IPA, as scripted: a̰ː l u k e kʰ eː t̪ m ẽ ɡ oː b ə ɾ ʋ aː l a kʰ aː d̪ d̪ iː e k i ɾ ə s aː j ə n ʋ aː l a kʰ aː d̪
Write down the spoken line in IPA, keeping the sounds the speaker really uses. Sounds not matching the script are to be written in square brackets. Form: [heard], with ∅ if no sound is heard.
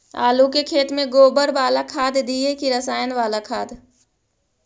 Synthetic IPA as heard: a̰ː l u k e kʰ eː t̪ m ẽ ɡ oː b ə ɾ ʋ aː l a kʰ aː d̪ d̪ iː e k i ɾ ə s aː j ə n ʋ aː l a kʰ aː d̪